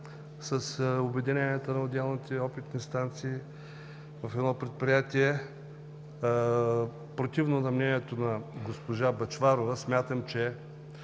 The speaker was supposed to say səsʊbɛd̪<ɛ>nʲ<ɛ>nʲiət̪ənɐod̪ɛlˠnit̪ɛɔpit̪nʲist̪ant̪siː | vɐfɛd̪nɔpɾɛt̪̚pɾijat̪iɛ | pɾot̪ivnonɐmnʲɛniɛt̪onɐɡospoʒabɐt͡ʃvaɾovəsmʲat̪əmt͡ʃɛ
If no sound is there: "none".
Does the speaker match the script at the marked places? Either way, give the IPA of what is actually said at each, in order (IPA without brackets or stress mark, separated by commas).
i, ɛ